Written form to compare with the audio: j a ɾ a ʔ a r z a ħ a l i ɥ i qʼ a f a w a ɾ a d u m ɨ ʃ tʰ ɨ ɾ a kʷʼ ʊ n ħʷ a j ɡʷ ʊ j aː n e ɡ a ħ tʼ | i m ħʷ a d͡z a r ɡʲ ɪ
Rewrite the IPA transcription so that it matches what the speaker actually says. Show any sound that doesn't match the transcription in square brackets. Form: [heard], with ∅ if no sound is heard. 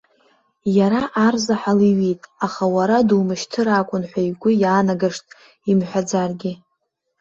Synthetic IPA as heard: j a ɾ a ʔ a r z a ħ a l i ɥ i [tʼ] a [χ] a w a ɾ a d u m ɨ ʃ tʰ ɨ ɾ a kʷʼ ʊ n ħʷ a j ɡʷ ʊ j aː n [a] ɡ a [ʂ] tʼ | i m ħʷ a d͡z a r ɡʲ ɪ